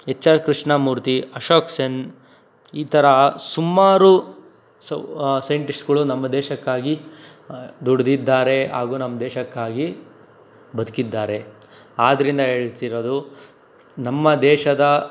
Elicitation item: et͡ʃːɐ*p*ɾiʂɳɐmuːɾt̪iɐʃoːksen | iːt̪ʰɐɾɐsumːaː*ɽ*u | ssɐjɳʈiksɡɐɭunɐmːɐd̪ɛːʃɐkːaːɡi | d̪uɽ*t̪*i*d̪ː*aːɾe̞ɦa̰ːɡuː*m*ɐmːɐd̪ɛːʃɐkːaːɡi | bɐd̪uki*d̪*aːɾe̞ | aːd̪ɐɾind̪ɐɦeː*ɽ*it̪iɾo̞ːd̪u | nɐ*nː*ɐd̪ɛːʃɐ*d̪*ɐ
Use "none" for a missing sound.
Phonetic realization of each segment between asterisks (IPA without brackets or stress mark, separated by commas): k, ɾ, d̪, d̪ː, n, d̪ː, ɭ, mː, d̪